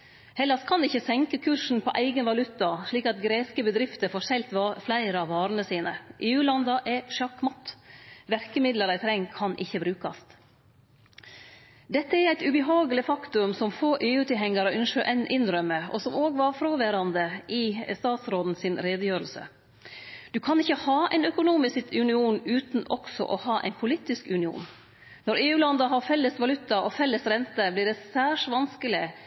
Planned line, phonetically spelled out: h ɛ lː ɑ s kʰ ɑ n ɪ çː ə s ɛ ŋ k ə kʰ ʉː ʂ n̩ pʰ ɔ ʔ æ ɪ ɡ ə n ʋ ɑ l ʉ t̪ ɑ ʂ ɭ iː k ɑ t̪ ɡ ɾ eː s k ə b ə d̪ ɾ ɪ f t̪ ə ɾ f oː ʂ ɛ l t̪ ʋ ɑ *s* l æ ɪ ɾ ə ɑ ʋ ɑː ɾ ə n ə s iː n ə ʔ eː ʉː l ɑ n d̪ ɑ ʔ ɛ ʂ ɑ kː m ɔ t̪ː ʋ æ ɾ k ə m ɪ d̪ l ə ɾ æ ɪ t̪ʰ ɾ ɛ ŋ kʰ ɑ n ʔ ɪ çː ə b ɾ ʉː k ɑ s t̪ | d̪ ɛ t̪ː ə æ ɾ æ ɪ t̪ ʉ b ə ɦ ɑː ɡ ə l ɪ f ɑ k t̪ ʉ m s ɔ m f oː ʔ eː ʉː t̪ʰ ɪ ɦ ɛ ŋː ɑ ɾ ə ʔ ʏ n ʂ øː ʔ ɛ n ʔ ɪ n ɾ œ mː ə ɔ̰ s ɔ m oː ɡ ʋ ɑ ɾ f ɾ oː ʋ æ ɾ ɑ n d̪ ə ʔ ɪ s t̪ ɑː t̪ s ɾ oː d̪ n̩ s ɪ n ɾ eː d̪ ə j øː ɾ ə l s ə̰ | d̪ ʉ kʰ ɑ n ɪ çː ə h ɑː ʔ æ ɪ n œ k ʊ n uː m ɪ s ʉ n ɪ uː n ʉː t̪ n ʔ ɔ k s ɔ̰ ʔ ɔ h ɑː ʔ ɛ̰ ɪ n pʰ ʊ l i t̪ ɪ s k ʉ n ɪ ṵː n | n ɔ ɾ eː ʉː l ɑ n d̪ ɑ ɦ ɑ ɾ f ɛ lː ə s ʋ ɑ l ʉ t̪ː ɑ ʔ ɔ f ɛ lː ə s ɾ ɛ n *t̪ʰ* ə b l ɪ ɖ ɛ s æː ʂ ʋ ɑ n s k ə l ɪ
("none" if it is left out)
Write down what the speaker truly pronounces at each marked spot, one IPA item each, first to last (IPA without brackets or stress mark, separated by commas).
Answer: f, t̪